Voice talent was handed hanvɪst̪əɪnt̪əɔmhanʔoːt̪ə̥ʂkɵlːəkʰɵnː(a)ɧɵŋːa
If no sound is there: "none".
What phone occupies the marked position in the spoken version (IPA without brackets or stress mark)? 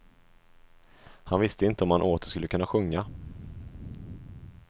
a